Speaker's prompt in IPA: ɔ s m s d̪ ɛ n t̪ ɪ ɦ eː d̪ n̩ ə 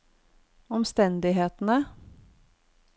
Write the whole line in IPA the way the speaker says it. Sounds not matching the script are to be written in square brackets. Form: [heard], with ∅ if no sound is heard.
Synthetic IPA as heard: ɔ [∅] m s [t̪] ɛ n [d̪] ɪ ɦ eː [t̪] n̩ ə